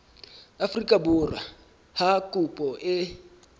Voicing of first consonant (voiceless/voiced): voiceless